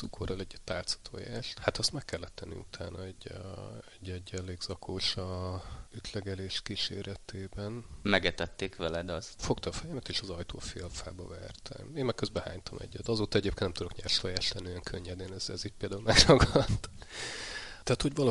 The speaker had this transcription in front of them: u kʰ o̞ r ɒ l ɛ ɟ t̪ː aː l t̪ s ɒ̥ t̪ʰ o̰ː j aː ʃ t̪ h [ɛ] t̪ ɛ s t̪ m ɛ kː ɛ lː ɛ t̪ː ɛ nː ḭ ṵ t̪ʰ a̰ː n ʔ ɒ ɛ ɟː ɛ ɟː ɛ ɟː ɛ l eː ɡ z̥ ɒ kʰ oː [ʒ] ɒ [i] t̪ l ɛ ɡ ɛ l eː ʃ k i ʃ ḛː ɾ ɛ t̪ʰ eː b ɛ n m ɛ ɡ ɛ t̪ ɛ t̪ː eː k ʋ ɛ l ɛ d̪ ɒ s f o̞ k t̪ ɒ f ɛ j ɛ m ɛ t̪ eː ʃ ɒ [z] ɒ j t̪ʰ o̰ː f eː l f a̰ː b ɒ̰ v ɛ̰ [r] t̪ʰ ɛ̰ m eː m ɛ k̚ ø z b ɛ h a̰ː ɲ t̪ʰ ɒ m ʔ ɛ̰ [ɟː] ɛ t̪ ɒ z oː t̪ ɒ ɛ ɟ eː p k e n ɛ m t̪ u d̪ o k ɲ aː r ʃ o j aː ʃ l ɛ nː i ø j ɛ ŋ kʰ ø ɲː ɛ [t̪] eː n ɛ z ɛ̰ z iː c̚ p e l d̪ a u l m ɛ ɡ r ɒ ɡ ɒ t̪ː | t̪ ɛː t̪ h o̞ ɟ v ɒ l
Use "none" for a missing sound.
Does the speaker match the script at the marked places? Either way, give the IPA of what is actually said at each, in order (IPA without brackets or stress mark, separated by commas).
a, ʃ, y, z, r, ɟː, d̪